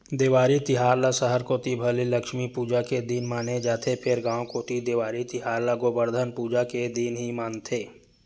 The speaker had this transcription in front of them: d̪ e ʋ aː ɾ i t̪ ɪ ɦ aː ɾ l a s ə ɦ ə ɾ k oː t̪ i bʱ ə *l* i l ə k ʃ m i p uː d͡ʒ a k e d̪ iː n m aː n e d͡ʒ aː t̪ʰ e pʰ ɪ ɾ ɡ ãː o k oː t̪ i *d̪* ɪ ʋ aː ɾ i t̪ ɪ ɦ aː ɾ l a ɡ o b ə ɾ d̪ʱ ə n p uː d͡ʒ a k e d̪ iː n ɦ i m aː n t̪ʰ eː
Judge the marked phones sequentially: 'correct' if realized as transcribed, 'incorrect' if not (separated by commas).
correct, correct